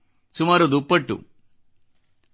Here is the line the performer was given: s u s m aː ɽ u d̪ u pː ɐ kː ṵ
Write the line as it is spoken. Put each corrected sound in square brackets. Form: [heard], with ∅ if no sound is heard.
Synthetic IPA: s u [∅] m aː [ɾ] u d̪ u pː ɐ [ʈː] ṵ